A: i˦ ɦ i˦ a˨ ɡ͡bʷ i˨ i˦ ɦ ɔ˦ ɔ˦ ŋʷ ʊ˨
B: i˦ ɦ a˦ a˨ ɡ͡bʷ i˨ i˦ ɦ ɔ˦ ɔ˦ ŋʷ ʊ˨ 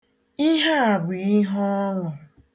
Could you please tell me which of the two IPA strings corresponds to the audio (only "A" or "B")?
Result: B